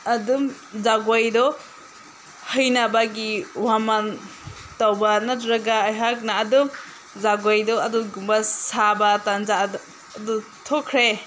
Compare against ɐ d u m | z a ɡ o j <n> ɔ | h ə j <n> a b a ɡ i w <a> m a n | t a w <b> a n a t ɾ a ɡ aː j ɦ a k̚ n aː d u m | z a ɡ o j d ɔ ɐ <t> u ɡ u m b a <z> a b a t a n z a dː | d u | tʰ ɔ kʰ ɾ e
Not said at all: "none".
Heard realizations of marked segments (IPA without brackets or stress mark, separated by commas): d, n, a, b, d, s